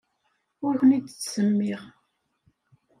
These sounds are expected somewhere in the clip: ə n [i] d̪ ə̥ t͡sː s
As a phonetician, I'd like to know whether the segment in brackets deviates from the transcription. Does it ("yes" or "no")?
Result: no